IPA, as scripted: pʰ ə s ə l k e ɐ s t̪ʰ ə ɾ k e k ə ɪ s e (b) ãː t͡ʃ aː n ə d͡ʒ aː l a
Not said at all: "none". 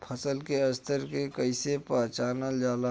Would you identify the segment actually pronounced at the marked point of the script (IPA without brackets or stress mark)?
p